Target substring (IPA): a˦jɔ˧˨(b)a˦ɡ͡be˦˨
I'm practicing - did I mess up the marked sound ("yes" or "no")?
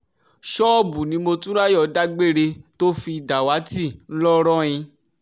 yes